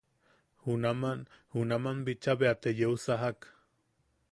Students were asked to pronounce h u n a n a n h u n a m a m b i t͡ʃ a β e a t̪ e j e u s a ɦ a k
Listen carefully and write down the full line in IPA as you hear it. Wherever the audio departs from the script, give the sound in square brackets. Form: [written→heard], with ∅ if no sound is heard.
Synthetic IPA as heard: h u n a [n→m] a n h u n a m a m b i t͡ʃ a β e a t̪ e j e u s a ɦ a k